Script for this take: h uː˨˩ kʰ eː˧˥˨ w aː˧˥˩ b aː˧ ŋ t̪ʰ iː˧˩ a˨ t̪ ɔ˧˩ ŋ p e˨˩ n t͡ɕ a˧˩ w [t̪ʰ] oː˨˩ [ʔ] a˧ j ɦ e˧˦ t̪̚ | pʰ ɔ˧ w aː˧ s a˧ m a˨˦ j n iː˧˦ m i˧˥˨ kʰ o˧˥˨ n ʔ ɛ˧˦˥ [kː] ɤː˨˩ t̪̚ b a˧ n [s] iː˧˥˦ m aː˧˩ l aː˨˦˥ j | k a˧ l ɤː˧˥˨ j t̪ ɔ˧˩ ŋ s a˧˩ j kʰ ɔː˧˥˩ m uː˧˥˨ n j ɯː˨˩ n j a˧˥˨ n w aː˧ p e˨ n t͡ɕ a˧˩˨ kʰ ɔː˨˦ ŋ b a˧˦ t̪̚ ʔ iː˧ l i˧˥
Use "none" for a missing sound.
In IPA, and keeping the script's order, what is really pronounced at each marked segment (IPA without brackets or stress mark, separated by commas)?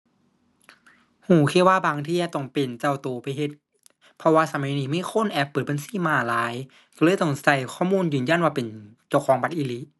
t̪, p, pː, s